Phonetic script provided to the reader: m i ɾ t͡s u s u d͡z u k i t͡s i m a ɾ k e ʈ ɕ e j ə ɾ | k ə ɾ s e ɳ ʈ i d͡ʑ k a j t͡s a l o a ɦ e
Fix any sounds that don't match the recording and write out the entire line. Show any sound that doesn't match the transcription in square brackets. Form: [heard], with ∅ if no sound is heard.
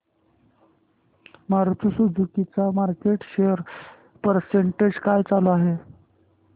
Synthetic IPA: m [a] ɾ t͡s u s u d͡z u k i t͡s [a] m a ɾ k e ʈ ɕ e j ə ɾ | [p] ə ɾ s e ɳ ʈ [e] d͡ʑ k a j t͡s a l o a ɦ e